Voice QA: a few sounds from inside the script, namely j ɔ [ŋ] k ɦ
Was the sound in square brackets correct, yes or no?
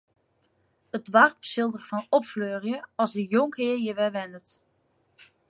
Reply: yes